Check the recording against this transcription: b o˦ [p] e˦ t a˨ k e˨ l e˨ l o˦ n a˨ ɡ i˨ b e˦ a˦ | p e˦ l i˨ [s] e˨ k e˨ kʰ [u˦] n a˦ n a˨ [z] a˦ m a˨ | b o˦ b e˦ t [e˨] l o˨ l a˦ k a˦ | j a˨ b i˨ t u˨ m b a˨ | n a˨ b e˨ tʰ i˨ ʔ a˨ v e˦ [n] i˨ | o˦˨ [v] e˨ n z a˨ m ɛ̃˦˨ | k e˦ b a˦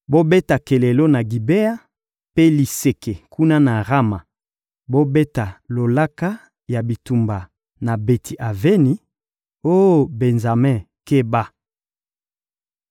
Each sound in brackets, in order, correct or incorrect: incorrect, correct, correct, incorrect, incorrect, correct, incorrect

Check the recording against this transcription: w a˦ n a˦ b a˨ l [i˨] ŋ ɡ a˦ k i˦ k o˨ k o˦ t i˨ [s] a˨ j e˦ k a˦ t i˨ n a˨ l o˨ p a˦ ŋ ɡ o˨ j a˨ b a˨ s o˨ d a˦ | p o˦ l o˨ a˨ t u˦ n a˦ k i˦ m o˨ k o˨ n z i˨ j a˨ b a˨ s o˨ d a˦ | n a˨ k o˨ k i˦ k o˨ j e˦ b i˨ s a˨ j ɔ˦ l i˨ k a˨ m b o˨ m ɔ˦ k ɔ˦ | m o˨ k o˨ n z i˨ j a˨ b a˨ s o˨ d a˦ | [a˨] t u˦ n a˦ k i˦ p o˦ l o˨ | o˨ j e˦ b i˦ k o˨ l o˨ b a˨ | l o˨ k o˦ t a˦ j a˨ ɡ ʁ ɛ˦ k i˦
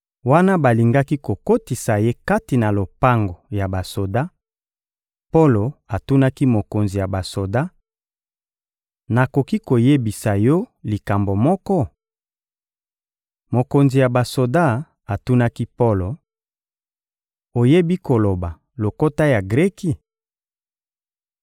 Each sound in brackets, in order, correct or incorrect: correct, correct, correct

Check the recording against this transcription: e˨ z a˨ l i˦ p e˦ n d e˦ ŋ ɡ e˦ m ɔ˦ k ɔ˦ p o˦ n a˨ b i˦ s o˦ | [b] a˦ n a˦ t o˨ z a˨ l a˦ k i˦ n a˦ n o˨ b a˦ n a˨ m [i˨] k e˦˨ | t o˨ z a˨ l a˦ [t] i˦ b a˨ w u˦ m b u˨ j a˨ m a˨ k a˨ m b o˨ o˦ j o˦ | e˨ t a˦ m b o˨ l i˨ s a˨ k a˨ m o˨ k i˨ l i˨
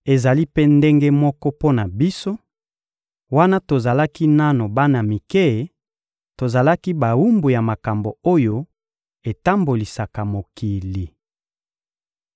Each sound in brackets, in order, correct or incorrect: incorrect, correct, incorrect

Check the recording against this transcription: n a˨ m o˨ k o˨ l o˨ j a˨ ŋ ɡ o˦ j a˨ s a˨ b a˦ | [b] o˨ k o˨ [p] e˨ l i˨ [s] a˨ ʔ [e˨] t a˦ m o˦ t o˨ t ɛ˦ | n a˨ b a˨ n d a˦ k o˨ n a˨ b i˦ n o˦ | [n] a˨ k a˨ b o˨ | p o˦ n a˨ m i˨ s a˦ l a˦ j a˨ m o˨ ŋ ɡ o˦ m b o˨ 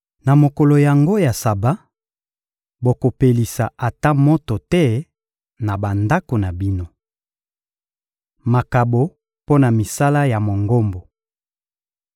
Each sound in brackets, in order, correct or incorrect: correct, correct, correct, incorrect, incorrect

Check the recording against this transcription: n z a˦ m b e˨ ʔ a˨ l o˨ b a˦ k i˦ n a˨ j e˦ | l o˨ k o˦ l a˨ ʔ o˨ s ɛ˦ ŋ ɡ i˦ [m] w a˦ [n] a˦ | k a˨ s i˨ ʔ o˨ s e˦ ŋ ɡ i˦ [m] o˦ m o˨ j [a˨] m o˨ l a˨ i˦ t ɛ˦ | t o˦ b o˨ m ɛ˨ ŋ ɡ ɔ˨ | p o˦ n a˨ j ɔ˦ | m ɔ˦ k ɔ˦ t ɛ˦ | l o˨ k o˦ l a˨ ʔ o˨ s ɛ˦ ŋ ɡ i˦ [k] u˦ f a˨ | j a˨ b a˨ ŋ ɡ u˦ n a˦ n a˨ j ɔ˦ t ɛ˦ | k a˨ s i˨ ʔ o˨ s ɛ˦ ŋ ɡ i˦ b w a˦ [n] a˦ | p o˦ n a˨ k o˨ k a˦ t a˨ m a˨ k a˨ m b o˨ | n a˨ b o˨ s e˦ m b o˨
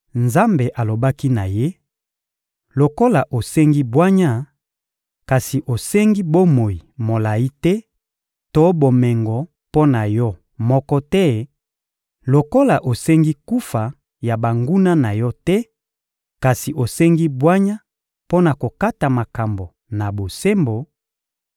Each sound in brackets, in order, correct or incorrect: incorrect, incorrect, incorrect, incorrect, correct, incorrect

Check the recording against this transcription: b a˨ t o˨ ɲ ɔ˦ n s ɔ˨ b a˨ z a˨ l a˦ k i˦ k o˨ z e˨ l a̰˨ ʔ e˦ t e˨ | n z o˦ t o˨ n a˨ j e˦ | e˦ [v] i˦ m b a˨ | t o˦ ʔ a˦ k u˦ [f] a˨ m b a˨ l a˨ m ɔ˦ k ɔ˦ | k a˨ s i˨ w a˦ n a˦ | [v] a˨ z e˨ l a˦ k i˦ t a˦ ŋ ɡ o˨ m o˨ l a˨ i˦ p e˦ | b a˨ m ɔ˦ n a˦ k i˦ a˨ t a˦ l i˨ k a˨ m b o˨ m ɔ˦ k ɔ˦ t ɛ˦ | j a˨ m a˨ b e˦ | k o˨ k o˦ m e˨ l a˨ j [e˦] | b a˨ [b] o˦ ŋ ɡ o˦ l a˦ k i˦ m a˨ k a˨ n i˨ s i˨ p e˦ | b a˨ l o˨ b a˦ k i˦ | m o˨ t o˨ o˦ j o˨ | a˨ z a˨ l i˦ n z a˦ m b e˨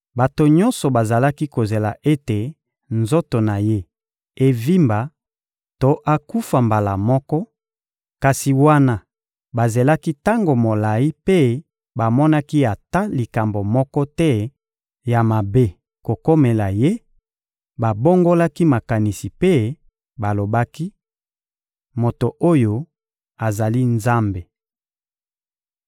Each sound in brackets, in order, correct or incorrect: correct, correct, incorrect, correct, correct

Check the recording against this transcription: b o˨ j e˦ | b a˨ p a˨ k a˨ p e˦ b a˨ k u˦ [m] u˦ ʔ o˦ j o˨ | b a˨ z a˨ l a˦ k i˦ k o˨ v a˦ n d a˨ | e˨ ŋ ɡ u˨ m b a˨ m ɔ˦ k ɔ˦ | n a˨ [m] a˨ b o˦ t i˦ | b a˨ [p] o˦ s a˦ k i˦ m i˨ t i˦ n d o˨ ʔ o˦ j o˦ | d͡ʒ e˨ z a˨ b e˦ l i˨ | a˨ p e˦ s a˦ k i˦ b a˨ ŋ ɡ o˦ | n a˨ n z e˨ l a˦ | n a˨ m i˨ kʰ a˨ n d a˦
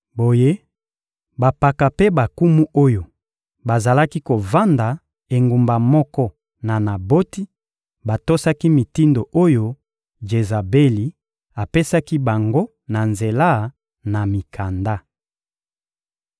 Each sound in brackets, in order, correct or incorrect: correct, incorrect, incorrect

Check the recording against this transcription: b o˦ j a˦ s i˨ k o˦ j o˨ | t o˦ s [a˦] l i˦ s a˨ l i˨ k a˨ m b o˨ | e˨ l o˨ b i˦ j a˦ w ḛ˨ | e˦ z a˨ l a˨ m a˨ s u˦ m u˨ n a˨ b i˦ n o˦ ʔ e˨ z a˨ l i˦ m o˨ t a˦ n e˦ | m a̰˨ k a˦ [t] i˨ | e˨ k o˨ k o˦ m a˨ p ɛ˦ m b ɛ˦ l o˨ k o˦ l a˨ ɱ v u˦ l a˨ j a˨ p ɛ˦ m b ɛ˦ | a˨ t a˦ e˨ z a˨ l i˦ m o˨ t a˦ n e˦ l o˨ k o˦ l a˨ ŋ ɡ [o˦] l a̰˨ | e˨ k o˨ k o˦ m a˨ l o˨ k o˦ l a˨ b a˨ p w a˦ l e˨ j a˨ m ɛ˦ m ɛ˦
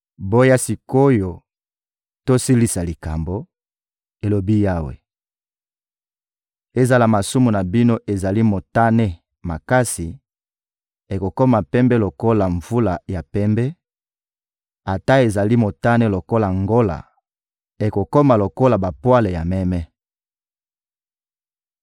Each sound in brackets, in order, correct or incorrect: incorrect, incorrect, correct

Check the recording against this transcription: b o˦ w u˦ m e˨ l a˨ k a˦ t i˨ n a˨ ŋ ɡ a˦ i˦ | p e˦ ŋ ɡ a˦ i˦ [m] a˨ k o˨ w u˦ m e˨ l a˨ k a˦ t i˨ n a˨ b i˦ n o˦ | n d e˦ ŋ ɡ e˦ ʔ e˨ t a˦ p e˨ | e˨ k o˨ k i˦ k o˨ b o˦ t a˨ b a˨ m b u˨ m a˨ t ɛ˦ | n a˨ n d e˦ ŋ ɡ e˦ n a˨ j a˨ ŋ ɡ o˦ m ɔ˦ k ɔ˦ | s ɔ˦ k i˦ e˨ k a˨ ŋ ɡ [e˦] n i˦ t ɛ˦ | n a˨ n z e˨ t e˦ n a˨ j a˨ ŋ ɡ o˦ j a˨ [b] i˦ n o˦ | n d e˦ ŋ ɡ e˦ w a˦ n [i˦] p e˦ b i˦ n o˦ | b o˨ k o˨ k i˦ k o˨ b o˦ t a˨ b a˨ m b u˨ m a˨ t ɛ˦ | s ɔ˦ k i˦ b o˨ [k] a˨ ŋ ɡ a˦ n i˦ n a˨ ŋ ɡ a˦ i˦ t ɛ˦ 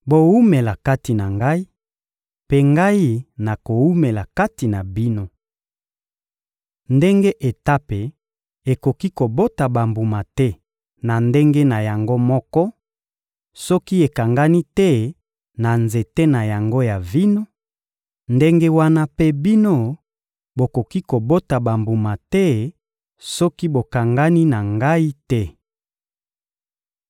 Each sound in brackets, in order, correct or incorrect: incorrect, incorrect, incorrect, incorrect, correct

